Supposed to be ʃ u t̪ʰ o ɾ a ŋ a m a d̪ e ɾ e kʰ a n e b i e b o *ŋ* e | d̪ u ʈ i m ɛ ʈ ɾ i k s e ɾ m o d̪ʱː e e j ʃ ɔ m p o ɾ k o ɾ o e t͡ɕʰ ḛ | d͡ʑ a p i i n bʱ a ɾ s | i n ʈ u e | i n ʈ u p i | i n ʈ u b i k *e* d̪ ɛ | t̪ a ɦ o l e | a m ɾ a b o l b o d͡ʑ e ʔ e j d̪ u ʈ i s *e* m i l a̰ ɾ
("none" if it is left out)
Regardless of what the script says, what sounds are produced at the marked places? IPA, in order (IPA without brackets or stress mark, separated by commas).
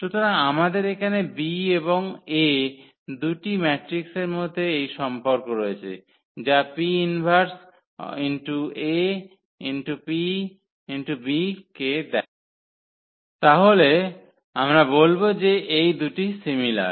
ŋ, e, i